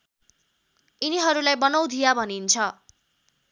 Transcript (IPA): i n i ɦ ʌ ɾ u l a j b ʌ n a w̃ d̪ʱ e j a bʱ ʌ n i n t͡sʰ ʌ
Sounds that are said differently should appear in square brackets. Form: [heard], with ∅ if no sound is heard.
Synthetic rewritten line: i n i ɦ ʌ ɾ u l a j b ʌ n [ʌ] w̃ d̪ʱ [i] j a bʱ ʌ n i n t͡sʰ ʌ

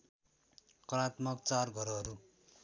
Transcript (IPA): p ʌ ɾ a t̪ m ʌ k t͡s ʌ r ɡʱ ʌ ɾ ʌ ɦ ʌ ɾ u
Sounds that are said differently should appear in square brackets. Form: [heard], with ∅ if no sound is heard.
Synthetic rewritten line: [k] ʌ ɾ a t̪ m ʌ k t͡s [a] r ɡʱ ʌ ɾ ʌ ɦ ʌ ɾ u

